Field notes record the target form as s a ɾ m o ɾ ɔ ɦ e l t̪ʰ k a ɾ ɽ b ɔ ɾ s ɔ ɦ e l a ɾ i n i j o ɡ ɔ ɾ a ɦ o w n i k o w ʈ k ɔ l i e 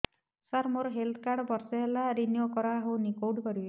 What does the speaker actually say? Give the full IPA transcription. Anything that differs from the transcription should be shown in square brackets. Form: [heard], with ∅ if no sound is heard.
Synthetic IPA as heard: s a ɾ m o ɾ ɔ ɦ e l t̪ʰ k a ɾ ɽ b ɔ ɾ s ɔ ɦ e l a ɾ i n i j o [k] ɔ ɾ a ɦ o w n i k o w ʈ k ɔ [ɾ] i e